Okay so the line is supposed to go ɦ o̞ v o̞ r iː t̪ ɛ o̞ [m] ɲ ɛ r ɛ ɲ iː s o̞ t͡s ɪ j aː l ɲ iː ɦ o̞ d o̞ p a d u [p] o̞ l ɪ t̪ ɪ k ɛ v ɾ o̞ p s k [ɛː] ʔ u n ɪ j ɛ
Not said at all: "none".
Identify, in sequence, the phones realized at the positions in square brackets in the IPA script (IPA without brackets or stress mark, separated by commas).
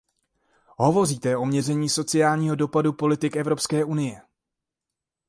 m, p, ɛː